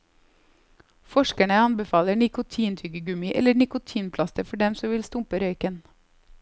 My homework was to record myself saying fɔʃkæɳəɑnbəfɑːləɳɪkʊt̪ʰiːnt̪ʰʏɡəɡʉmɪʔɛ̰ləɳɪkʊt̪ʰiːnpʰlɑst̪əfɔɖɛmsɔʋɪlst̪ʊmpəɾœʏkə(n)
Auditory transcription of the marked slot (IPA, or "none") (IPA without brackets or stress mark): n